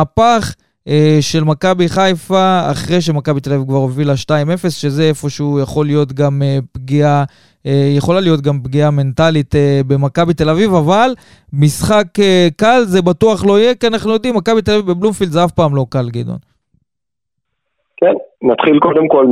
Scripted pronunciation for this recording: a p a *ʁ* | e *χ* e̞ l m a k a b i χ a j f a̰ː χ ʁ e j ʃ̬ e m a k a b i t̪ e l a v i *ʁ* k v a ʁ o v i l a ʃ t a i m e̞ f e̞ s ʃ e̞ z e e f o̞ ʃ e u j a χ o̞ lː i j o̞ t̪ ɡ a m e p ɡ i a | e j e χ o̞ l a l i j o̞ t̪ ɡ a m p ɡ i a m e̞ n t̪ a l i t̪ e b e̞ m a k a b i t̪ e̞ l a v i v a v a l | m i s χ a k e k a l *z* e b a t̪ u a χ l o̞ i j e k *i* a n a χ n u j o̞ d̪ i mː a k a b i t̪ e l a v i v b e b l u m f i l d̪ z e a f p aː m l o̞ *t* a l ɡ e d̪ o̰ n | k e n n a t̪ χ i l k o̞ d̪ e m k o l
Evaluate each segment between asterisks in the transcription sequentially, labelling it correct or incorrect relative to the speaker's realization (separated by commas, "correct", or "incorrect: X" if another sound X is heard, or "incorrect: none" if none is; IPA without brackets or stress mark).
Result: incorrect: χ, incorrect: ʃ, incorrect: v, correct, correct, incorrect: k